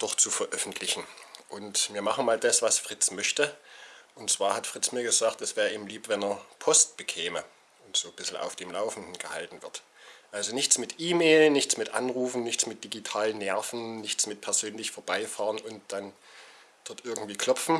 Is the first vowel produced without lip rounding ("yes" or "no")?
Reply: no